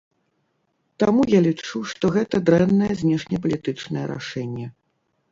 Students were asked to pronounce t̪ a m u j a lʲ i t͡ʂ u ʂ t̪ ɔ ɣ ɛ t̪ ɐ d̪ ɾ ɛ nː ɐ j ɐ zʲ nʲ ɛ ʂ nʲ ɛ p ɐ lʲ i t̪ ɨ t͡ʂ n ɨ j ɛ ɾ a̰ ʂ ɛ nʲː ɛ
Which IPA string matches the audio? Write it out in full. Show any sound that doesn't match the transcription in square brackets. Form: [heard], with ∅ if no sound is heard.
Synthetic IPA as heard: t̪ a m u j a lʲ i t͡ʂ u ʂ t̪ ɔ ɣ ɛ t̪ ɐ d̪ ɾ ɛ nː ɐ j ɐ zʲ nʲ ɛ ʂ nʲ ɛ p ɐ lʲ i t̪ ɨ t͡ʂ n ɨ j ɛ ɾ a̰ ʂ ɛ nʲː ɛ